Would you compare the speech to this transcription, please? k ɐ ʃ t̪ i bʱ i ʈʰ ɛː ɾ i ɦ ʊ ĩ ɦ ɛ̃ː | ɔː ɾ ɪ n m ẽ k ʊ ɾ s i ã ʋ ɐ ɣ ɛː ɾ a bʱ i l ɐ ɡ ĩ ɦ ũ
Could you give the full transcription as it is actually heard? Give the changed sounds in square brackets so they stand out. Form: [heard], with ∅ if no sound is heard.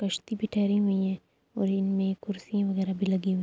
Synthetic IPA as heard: k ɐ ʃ t̪ i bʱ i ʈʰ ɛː ɾ i ɦ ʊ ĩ ɦ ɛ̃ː | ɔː ɾ ɪ n m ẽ k ʊ ɾ s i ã ʋ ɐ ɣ ɛː ɾ a bʱ i l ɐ ɡ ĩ ɦ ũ